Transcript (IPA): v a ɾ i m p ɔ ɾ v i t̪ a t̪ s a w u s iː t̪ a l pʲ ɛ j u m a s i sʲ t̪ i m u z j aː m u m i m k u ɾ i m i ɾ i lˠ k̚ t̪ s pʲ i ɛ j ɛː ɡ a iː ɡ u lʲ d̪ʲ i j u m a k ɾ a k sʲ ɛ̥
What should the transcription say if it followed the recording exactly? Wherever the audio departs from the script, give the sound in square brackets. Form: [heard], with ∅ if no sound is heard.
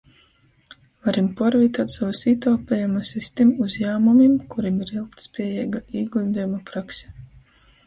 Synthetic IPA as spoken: v a ɾ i m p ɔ ɾ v i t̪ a t̪ s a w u s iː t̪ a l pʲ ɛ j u m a s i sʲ t̪ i m u z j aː m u m i m k u ɾ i m i ɾ i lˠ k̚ t̪ s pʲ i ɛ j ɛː ɡ a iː ɡ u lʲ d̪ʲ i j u m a [p] ɾ a k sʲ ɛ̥